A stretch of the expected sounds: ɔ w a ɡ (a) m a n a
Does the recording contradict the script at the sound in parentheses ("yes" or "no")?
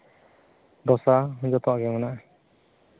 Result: yes